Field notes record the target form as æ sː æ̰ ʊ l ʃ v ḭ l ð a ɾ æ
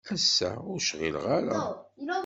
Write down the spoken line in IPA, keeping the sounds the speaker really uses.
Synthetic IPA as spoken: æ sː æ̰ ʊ ɾ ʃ ʁ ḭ l ʁ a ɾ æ